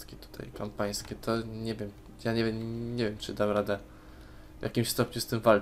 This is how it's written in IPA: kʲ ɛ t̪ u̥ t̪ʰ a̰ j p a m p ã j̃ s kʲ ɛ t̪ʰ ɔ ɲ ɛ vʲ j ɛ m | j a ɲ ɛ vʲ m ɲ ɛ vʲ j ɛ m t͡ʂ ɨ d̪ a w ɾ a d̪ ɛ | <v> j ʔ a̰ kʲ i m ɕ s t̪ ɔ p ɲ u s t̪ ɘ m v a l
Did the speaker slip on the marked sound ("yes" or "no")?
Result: no